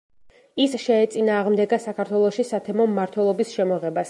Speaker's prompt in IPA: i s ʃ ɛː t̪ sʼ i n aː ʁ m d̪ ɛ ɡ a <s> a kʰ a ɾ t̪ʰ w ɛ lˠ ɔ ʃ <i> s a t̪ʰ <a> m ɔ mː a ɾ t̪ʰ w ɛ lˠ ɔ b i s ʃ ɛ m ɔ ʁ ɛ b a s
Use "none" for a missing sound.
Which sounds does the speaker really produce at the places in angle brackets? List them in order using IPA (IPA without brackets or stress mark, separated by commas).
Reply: s, i, ɛ